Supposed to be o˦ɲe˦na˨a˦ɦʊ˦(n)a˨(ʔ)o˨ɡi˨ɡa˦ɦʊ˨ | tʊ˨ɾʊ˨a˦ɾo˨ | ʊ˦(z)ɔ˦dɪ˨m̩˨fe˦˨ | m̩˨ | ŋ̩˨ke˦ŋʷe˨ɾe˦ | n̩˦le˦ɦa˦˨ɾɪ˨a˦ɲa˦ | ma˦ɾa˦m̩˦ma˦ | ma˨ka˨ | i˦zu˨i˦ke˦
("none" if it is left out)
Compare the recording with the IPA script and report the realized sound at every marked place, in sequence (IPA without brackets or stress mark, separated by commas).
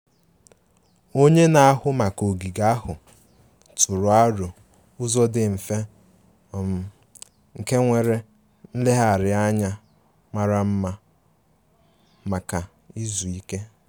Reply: m, k, z